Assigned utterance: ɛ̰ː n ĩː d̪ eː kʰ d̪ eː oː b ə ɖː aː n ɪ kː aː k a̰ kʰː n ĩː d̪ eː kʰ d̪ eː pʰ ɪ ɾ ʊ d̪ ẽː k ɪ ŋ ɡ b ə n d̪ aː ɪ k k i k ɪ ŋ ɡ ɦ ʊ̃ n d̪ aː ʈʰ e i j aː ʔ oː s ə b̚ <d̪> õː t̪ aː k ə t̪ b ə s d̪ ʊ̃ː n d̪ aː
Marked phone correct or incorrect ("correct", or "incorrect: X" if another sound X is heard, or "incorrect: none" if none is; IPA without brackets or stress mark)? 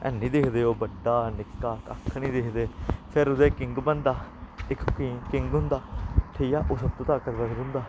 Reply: incorrect: t̪